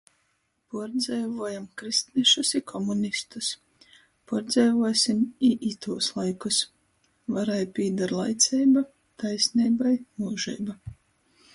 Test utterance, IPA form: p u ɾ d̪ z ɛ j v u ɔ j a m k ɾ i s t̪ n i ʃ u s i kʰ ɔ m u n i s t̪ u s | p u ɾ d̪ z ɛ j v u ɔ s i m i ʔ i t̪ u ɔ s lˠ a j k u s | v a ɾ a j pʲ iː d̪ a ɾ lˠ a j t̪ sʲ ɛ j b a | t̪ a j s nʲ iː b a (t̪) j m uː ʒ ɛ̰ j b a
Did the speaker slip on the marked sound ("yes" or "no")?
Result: yes